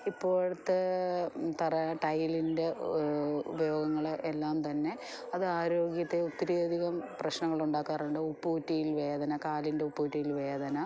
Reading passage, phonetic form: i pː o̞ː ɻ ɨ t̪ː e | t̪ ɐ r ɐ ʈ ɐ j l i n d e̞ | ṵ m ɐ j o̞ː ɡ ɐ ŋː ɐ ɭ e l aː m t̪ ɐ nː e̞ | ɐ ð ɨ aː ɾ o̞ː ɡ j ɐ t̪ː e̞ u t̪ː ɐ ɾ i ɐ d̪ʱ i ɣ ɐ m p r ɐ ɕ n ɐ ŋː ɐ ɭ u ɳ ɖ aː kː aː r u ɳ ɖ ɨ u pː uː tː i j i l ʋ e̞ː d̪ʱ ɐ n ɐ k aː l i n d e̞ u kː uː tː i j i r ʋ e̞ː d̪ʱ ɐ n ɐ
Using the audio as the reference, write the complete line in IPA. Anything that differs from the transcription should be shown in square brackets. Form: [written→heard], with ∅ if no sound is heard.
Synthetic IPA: i pː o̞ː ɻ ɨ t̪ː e | t̪ ɐ r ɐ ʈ ɐ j l i n d e̞ | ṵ [m→b] ɐ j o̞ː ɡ ɐ ŋː ɐ ɭ e [l→lː] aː m t̪ ɐ nː e̞ | ɐ ð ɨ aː ɾ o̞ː ɡ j ɐ t̪ː e̞ u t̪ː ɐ ɾ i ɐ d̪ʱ i ɣ ɐ m p r ɐ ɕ n ɐ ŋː ɐ ɭ u ɳ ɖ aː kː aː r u ɳ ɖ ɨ u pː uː tː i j i l ʋ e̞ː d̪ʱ ɐ n ɐ k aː l i n d e̞ u [kː→pː] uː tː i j i [r→l] ʋ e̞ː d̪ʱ ɐ n ɐ